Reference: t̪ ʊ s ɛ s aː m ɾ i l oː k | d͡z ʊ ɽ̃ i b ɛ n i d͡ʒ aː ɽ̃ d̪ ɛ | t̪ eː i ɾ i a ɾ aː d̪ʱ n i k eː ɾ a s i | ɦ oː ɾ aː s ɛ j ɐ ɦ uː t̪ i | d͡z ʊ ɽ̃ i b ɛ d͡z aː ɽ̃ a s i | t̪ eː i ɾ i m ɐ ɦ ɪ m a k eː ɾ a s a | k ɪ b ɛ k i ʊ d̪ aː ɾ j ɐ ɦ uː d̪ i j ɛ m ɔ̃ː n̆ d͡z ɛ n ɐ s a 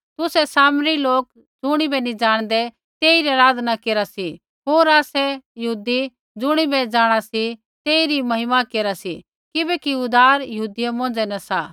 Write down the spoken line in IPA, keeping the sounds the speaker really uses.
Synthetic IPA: t̪ ʊ s ɛ s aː m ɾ i l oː k | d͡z ʊ ɽ̃ i b ɛ n i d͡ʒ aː ɽ̃ d̪ ɛ | t̪ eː i ɾ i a ɾ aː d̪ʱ n a k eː ɾ a s i | ɦ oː ɾ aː s ɛ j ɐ ɦ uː d̪ i | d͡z ʊ ɽ̃ i b ɛ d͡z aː ɽ̃ a s i | t̪ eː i ɾ i m ɐ ɦ ɪ m a k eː ɾ a s i | k ɪ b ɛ k i ʊ d̪ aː ɾ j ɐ ɦ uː d̪ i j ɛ m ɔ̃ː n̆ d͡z ɛ n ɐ s a